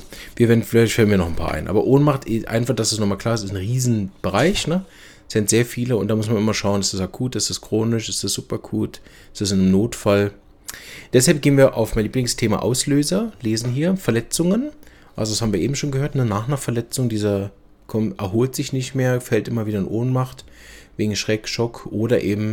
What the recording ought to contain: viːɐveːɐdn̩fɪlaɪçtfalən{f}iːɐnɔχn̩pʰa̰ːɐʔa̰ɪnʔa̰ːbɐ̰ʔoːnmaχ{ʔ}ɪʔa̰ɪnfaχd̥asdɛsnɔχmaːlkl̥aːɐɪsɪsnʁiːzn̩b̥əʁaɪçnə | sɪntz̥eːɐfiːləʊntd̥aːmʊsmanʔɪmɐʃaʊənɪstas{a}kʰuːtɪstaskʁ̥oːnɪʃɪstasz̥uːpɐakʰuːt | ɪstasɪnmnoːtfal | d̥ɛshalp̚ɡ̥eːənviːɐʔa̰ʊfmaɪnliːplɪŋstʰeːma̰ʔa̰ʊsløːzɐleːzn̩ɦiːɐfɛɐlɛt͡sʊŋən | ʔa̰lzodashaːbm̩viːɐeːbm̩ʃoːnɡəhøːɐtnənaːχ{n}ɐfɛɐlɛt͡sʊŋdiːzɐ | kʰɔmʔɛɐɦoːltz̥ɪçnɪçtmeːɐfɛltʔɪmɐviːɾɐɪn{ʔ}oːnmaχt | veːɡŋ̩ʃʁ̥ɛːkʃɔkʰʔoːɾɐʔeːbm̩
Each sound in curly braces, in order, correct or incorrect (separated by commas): incorrect, incorrect, correct, correct, correct